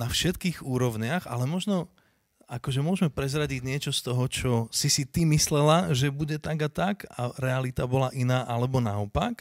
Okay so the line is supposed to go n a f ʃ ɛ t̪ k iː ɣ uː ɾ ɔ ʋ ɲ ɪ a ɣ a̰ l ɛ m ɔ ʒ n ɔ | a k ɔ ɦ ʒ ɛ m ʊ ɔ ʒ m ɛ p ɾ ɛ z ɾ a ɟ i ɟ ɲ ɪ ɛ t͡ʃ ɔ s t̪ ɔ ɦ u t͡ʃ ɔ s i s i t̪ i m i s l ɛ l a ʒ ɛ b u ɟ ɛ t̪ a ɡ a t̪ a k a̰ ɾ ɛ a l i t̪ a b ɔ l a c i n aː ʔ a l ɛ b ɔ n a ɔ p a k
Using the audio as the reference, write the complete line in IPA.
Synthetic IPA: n a f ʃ ɛ t̪ k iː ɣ uː ɾ ɔ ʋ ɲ ɪ a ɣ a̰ l ɛ m ɔ ʒ n ɔ | a k ɔ ʒ ɛ m ʊ ɔ ʒ m ɛ p ɾ ɛ z ɾ a ɟ i ɟ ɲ ɪ ɛ t͡ʃ ɔ s t̪ ɔ ɦ ɔ t͡ʃ ɔ s i s i t̪ i m i s l ɛ l a ʒ ɛ b u ɟ ɛ t̪ a ɡ a t̪ a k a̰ ɾ ɛ a l i t̪ a b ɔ l a ʔ i n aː ʔ a l ɛ b ɔ n a ɔ p a k